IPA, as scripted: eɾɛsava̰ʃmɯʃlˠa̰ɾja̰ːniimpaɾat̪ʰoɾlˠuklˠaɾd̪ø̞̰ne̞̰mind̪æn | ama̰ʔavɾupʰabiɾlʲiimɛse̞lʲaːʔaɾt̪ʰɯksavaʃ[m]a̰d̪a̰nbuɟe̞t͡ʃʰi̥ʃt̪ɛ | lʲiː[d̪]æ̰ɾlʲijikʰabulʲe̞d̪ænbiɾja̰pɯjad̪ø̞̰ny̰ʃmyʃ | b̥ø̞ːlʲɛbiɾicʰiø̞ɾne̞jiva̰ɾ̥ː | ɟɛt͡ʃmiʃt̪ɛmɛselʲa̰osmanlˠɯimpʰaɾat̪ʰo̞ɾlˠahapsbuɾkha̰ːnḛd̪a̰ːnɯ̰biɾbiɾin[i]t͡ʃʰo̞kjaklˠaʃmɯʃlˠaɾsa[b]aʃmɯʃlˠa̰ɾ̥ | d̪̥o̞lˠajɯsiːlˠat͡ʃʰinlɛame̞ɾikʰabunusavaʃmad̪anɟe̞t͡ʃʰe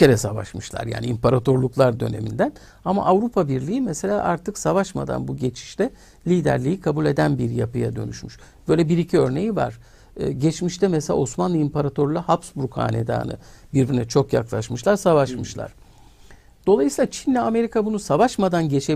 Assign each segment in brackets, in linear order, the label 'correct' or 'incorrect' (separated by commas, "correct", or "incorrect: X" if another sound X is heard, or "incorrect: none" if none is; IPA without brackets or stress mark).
correct, correct, incorrect: ɛ, incorrect: v